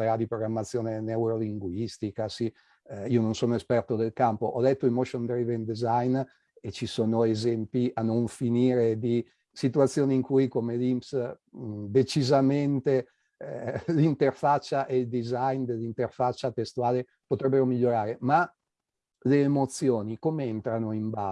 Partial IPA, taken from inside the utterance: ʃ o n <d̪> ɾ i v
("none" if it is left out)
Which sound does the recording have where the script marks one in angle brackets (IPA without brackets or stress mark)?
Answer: d̪